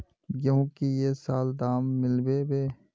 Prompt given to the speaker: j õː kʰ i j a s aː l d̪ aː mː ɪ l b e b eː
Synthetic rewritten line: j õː k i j e s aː l d̪ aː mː ɪ l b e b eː